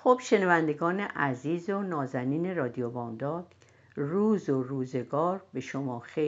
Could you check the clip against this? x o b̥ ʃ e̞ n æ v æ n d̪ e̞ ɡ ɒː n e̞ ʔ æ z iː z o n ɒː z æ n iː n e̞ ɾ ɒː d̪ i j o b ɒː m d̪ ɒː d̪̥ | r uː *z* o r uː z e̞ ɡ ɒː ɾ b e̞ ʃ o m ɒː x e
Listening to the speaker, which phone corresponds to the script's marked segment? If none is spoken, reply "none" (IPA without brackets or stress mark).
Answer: z